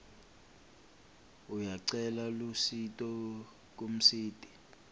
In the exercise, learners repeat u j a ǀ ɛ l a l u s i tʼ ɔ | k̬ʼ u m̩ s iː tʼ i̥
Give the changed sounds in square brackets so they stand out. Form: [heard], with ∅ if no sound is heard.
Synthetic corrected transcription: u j a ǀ ɛ l a l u s i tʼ ɔ | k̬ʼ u m̩ s iː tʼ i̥